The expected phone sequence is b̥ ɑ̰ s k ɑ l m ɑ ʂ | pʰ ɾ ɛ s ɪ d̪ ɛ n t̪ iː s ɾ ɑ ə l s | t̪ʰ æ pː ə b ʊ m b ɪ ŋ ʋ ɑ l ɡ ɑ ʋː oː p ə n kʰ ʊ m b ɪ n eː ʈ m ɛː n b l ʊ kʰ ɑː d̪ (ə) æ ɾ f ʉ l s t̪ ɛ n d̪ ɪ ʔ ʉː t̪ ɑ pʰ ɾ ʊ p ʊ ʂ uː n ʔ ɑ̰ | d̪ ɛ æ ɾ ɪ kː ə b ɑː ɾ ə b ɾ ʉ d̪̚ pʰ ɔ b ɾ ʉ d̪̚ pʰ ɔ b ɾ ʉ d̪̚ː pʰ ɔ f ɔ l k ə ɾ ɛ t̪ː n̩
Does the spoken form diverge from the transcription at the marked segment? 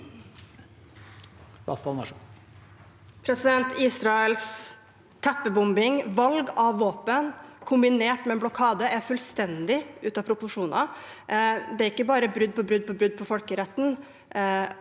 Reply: no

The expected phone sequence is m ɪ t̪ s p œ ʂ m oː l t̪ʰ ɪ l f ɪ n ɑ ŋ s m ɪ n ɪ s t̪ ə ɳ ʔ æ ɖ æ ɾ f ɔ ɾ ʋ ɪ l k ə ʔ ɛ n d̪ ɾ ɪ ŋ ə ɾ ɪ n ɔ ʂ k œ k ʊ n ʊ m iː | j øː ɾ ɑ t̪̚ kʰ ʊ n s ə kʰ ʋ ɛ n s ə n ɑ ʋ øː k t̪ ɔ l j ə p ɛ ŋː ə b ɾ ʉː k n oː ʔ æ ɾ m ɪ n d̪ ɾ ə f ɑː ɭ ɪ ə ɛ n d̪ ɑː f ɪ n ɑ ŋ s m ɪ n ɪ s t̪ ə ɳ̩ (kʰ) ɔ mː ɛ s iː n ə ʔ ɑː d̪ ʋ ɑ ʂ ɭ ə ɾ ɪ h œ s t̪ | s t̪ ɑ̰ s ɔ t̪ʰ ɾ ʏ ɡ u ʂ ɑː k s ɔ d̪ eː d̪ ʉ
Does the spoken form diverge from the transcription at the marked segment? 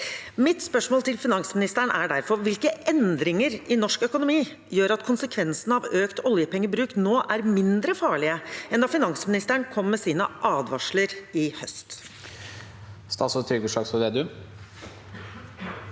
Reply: no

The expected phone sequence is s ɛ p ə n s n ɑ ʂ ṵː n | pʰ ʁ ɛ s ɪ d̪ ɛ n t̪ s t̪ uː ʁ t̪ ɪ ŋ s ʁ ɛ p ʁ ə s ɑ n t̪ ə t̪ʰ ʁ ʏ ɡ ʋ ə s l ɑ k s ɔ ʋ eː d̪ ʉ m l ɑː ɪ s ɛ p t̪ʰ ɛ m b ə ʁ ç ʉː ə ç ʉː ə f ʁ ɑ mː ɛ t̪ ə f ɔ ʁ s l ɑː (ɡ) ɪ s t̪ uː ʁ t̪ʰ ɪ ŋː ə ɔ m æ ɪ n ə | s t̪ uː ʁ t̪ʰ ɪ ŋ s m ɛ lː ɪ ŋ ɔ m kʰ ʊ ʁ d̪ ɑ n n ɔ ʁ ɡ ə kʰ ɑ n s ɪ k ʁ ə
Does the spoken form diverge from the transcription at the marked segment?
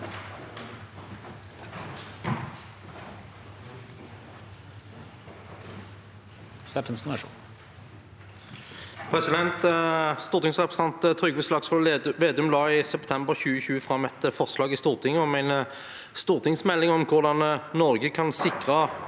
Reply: no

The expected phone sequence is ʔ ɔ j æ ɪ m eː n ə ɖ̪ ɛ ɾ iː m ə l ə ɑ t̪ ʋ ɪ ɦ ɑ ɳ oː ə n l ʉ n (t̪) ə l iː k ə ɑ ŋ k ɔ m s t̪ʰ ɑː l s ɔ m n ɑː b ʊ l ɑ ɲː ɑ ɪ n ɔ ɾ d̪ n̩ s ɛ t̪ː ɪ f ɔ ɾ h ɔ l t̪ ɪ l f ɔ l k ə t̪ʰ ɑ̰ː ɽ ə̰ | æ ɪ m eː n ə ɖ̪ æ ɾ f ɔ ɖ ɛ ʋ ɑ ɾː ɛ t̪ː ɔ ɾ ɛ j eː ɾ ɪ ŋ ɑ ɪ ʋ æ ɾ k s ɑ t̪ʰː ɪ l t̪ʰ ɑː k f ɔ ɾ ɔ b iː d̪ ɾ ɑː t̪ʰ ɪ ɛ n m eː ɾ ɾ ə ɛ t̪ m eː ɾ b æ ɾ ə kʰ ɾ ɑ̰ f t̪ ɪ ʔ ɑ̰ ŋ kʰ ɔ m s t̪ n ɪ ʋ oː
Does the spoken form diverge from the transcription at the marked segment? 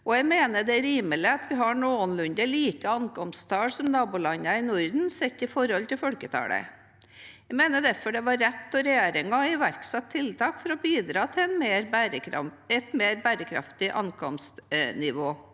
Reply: yes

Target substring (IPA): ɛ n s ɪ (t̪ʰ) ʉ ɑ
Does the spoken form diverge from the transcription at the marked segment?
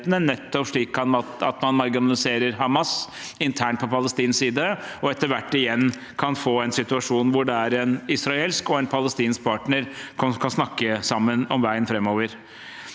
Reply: yes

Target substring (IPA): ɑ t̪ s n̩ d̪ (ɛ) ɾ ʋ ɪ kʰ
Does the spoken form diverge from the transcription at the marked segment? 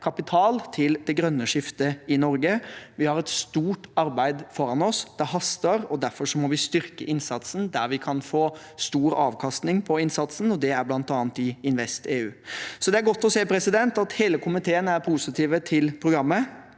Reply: yes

